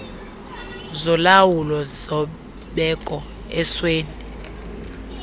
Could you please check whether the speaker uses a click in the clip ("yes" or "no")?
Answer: no